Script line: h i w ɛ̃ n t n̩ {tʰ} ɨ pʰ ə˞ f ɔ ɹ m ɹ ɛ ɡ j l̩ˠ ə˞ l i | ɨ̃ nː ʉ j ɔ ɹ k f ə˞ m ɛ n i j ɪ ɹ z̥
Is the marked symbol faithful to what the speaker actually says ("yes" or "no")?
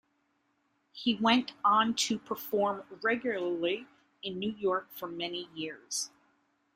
yes